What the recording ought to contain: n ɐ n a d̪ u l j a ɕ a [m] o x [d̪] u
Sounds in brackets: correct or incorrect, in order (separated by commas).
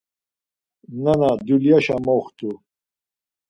correct, incorrect